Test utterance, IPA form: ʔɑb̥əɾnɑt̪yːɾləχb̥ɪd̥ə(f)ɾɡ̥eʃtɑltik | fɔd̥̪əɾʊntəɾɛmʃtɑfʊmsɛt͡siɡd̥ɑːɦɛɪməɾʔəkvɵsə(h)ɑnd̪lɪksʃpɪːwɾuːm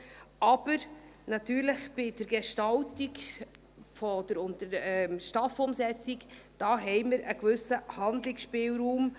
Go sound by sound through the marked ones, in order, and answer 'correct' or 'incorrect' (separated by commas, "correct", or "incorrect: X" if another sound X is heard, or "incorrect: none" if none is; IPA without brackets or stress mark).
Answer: incorrect: none, correct